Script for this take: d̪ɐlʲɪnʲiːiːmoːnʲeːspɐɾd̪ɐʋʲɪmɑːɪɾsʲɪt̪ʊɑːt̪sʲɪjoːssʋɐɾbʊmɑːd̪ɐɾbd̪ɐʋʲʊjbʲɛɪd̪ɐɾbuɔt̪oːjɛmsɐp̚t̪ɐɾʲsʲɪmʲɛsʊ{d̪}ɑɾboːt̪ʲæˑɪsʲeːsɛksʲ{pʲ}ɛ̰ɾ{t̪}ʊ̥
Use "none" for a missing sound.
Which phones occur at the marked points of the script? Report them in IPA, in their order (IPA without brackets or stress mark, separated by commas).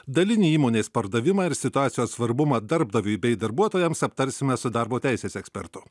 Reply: d̪, pʲ, t̪